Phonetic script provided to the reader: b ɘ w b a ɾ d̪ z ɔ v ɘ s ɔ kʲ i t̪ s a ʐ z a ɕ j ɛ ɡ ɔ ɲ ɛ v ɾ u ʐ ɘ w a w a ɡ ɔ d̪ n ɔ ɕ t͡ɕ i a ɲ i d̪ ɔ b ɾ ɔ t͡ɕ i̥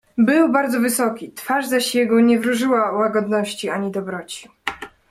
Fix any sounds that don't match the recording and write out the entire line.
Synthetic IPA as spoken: b ɘ w b a ɾ d̪ z ɔ v ɘ s ɔ kʲ i t̪ f a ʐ z a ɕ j ɛ ɡ ɔ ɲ ɛ v ɾ u ʐ ɘ w a w a ɡ ɔ d̪ n ɔ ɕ t͡ɕ i a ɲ i d̪ ɔ b ɾ ɔ t͡ɕ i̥